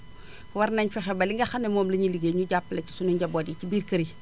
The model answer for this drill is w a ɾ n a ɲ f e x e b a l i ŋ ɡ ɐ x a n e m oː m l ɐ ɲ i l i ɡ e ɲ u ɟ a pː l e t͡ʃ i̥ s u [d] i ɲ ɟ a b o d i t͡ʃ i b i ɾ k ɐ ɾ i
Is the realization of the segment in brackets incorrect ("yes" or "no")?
yes